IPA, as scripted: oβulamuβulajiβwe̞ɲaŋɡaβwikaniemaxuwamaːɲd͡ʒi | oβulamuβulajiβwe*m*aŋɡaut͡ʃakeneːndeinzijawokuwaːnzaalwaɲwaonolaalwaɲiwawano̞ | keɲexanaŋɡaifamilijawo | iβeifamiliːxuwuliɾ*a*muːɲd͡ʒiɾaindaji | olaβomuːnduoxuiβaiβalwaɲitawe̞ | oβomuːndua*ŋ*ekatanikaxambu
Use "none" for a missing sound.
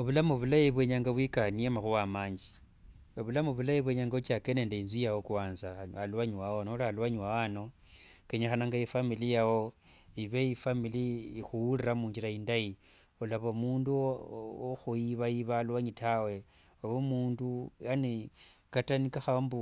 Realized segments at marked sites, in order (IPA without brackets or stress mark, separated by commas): ɲ, a, n